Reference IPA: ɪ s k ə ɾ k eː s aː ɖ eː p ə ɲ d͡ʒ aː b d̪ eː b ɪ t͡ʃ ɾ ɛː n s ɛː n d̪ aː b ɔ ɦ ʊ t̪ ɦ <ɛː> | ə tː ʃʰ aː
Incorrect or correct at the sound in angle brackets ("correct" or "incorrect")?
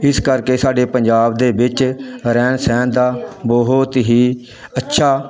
incorrect